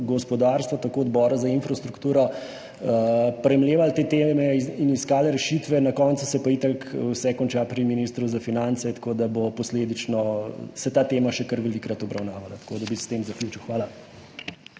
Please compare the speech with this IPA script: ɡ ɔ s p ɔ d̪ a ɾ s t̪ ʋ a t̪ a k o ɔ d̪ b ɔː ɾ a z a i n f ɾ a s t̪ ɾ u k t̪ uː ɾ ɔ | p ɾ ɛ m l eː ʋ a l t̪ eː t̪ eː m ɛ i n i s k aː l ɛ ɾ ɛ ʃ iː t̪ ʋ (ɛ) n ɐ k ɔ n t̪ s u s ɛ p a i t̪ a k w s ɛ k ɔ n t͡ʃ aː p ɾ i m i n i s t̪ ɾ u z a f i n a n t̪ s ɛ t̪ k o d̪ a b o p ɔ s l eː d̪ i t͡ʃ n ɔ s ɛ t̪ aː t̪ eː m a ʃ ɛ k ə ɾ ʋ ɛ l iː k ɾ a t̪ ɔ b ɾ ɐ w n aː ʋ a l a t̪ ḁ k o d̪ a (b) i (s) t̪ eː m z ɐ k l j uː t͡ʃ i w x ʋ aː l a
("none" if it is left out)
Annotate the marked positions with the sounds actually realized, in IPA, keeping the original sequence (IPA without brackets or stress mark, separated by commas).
ɛ, b, s